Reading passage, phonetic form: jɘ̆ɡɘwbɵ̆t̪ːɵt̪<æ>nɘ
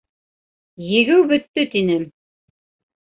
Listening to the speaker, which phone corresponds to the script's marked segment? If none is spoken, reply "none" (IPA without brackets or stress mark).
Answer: i